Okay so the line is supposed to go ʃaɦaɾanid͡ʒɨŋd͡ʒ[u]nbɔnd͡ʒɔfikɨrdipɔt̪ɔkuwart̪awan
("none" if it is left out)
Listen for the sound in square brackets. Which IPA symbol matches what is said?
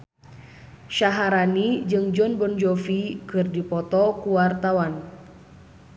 ɔ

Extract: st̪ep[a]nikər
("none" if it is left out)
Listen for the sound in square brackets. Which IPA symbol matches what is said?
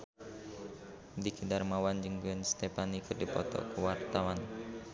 a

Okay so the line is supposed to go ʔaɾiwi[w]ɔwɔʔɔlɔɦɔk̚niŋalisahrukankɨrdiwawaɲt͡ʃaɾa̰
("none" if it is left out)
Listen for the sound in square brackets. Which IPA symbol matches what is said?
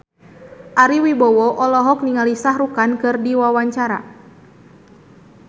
b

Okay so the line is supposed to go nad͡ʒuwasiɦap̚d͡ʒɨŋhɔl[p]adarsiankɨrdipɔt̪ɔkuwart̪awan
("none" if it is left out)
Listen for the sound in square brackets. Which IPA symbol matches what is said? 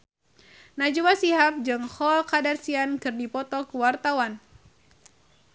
k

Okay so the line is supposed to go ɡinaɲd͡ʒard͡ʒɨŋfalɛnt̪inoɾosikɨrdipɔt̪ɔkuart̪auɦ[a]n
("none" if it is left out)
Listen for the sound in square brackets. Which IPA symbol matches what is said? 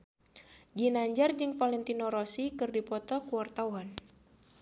a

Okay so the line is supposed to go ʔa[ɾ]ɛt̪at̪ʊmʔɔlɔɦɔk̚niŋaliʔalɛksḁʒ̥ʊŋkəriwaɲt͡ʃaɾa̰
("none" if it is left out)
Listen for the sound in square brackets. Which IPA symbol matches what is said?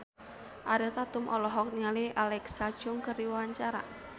ɾ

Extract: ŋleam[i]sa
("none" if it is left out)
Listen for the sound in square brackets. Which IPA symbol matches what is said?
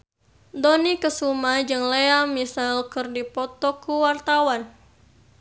i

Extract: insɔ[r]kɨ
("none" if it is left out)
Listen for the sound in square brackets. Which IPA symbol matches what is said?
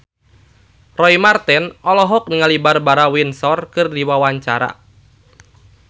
r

